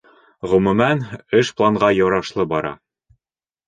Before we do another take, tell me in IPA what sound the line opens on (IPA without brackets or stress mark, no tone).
ʁ